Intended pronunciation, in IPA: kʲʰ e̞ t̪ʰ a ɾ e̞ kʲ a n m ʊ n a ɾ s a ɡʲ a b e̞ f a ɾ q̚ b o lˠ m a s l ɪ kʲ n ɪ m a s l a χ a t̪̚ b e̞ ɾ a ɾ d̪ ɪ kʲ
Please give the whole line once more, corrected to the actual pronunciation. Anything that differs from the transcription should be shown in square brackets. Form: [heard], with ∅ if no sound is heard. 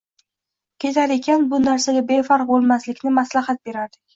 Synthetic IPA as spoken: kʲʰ e̞ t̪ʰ a ɾ e̞ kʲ a n [b] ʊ n a ɾ s a ɡʲ a b e̞ f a ɾ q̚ b o lˠ m a s l ɪ kʲ n ɪ m a s l a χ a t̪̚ b e̞ ɾ a ɾ d̪ ɪ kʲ